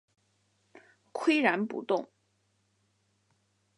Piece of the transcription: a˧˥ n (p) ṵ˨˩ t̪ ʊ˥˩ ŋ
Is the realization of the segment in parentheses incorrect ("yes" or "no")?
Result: no